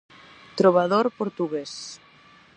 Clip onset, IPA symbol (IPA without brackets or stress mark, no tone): t̪